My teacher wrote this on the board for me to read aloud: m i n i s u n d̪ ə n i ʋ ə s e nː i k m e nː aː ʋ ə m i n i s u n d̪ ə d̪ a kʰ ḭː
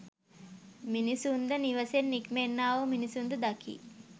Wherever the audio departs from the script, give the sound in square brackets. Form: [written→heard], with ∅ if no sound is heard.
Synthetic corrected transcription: m i n i s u n d̪ ə n i ʋ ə s e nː i k m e nː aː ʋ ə m i n i s u n d̪ ə d̪ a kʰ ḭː

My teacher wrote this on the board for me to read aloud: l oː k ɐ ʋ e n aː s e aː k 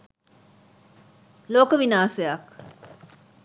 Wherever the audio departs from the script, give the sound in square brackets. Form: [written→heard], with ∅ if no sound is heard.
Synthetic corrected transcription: l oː k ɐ ʋ [e→i] n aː s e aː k

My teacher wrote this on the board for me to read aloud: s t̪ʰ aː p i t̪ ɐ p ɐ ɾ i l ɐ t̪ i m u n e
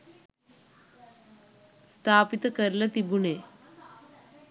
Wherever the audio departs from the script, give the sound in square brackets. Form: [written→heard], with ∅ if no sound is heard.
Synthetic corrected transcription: s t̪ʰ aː p i t̪ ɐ [p→k] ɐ ɾ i l ɐ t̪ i [m→b] u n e

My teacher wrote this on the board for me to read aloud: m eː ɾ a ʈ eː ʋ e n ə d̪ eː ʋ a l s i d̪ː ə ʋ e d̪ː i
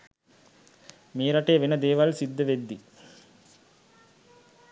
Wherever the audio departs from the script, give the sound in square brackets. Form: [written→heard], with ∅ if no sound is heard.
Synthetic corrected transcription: m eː ɾ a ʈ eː ʋ e n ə d̪ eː ʋ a l s i d̪ː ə ʋ e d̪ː i

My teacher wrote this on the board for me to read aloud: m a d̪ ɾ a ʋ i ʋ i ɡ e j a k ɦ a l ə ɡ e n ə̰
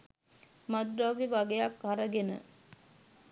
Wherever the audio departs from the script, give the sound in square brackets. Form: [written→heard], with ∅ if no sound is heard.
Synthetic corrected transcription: m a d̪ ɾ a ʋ i ʋ [i→a] ɡ e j a k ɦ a [l→ɾ] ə ɡ e n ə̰

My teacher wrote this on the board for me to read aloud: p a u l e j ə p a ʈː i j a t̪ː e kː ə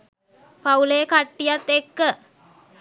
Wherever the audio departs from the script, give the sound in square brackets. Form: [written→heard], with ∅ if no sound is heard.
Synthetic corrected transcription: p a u l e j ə [p→k] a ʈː i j a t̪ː e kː ə

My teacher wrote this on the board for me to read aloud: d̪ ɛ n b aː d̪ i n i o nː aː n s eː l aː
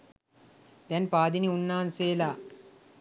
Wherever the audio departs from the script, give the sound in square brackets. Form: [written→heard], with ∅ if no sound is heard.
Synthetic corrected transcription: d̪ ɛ n [b→p] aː d̪ i n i [o→u] nː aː n s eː l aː

